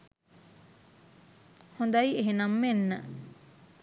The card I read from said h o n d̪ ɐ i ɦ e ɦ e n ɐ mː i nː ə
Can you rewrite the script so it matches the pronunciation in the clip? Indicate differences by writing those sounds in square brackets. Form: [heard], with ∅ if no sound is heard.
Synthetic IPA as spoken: h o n d̪ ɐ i [∅] e ɦ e n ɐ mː [e] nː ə